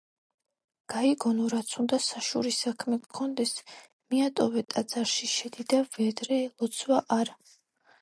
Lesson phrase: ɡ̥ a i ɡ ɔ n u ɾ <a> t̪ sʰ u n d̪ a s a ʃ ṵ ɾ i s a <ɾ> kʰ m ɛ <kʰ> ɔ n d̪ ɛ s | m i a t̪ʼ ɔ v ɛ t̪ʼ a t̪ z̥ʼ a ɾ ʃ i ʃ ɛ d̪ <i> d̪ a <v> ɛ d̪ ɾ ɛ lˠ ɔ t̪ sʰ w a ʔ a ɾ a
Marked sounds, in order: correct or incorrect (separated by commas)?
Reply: correct, incorrect, correct, correct, correct